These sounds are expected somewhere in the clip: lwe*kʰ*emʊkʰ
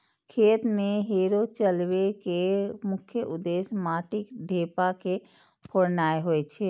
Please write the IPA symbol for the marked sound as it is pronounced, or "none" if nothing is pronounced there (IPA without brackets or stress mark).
k